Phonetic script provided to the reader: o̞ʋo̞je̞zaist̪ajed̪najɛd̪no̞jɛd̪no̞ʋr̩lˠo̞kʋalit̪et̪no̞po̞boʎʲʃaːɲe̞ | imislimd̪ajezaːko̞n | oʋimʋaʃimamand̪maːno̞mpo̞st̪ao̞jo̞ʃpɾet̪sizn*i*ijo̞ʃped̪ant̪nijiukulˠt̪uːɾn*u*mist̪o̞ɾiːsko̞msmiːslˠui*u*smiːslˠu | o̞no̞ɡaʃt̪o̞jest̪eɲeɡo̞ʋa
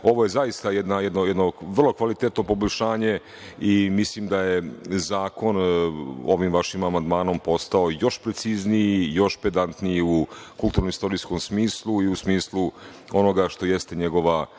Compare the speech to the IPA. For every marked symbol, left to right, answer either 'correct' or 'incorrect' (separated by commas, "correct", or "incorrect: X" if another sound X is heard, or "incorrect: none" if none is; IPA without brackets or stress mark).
correct, incorrect: o, correct